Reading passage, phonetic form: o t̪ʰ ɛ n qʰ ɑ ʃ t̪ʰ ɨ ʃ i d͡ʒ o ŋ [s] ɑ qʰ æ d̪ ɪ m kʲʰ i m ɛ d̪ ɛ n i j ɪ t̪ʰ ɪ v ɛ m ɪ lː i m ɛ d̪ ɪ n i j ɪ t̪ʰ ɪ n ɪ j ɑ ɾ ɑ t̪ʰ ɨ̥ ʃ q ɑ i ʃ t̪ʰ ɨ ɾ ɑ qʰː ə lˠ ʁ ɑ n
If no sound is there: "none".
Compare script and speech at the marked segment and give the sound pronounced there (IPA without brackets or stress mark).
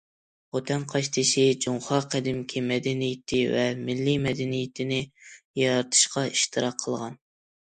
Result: χ